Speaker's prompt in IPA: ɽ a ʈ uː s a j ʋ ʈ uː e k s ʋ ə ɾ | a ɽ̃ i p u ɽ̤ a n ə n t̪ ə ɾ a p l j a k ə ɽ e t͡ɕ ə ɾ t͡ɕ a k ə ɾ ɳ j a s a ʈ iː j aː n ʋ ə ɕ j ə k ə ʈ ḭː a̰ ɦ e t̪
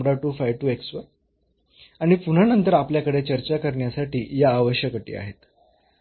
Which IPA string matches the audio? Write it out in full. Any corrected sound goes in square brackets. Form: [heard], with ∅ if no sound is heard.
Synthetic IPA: ɽ a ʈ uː [f] a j ʋ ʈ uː e k s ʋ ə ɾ | a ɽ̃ i p u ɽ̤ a n ə n t̪ ə ɾ a p l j a k ə ɽ e t͡ɕ ə ɾ t͡ɕ a k ə ɾ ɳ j a s a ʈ iː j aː [∅] ʋ ə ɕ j ə k ə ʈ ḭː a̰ ɦ e t̪